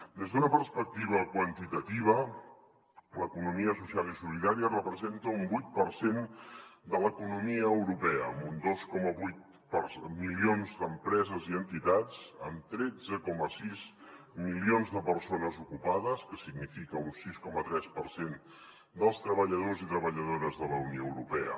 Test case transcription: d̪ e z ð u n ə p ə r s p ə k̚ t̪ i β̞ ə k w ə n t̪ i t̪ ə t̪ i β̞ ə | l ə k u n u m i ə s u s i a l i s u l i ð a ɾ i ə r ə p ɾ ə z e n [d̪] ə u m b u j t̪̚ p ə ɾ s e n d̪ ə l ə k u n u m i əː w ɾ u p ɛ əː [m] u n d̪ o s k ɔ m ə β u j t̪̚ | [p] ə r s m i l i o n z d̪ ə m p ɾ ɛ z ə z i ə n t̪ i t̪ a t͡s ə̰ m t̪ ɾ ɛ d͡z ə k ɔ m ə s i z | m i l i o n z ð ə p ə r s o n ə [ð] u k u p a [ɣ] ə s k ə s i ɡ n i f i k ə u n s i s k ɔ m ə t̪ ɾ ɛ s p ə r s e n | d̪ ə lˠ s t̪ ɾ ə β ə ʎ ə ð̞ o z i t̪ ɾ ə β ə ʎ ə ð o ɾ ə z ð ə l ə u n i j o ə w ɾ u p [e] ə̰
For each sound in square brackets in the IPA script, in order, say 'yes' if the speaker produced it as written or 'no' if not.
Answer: no, yes, yes, no, no, no

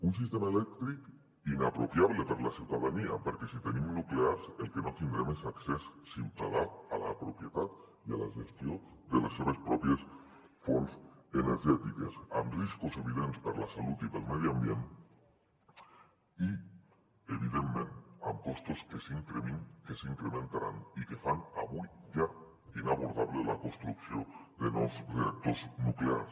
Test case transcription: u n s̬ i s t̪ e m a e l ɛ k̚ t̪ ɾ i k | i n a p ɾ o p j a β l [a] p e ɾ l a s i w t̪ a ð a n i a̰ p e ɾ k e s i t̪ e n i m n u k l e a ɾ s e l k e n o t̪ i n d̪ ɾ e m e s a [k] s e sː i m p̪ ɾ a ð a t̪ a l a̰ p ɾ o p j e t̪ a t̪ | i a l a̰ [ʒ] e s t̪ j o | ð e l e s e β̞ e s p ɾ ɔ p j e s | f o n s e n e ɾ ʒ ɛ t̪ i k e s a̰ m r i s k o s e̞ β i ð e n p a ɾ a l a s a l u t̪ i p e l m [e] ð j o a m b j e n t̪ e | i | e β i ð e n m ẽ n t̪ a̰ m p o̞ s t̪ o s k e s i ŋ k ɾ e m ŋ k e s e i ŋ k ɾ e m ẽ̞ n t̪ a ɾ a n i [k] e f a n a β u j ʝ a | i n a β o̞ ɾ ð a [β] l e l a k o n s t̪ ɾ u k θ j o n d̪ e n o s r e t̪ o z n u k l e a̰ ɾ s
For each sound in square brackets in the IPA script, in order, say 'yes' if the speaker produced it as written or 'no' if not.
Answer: no, yes, yes, yes, yes, yes

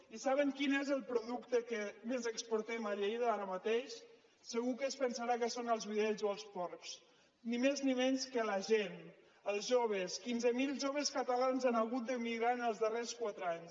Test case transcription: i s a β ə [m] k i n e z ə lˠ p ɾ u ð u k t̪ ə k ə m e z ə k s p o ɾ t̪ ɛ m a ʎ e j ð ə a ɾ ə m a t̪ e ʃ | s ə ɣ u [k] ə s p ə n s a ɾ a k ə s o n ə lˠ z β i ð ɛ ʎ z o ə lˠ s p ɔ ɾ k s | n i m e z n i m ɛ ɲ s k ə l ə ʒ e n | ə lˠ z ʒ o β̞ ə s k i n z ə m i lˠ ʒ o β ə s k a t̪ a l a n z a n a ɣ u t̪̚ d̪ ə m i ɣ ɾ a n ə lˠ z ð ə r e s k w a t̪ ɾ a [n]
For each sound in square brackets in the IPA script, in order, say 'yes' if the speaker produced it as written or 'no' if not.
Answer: no, yes, no

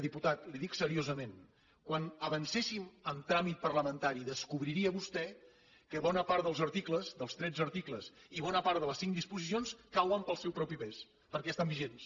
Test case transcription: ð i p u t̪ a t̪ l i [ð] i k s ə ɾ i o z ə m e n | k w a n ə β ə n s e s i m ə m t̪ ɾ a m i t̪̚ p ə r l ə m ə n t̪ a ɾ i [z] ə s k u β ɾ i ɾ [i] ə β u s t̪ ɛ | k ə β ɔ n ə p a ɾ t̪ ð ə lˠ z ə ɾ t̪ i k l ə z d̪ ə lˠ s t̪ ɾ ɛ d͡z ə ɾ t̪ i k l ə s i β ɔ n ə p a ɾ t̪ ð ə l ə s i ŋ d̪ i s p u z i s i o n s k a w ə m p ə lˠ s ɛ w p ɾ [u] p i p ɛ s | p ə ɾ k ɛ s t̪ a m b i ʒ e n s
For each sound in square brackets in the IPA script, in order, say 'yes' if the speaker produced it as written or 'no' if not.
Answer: yes, no, yes, no

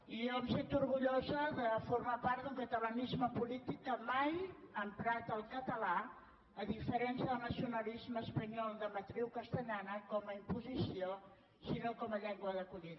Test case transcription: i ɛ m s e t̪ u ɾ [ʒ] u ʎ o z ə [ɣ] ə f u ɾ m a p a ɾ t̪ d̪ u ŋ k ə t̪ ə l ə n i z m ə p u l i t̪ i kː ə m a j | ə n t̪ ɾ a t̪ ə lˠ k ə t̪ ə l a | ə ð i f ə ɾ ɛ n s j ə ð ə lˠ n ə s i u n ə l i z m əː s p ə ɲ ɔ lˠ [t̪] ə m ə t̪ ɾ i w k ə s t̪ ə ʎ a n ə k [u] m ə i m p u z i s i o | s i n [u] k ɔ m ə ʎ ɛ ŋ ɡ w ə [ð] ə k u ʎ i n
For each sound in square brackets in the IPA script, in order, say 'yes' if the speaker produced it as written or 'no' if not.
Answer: no, no, no, no, no, yes

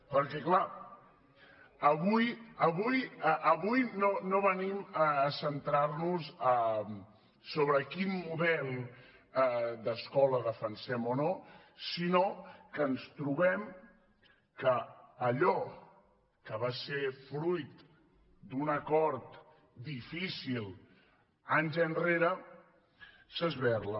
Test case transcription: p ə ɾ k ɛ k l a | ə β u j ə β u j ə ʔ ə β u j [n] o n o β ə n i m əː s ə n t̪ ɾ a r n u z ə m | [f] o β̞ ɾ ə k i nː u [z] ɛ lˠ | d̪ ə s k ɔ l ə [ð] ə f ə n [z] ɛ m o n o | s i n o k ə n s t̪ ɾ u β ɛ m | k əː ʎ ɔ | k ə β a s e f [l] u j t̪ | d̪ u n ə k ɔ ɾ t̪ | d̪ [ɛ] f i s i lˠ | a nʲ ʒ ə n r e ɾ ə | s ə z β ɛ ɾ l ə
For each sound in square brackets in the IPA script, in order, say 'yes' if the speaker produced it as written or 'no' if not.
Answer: yes, no, no, yes, no, no, no

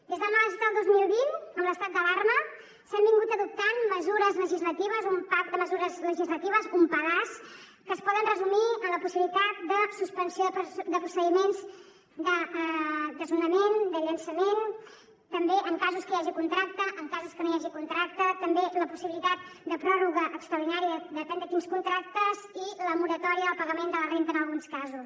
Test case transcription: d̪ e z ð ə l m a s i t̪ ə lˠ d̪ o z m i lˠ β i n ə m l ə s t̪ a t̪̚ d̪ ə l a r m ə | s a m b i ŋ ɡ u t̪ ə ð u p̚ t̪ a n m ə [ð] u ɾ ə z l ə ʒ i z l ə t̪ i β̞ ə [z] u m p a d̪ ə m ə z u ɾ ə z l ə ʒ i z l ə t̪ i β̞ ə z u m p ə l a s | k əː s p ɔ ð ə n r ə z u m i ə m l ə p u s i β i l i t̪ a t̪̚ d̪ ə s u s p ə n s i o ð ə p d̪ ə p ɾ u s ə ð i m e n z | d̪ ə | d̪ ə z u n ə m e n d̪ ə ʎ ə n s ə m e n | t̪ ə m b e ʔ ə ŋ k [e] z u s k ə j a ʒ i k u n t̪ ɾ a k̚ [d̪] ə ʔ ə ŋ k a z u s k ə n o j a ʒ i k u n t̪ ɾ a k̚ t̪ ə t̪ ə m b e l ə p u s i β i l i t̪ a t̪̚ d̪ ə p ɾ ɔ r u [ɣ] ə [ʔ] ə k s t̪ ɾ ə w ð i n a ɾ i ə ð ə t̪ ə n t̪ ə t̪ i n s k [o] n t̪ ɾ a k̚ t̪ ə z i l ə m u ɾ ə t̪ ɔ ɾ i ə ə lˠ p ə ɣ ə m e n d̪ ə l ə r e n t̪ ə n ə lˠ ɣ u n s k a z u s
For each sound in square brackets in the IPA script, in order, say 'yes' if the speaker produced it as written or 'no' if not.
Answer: no, yes, no, no, yes, yes, no

